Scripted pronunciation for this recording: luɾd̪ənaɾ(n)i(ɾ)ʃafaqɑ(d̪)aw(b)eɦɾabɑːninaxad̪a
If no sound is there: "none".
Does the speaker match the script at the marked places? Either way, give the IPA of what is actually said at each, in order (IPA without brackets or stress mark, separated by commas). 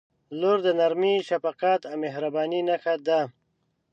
m, none, t̪, m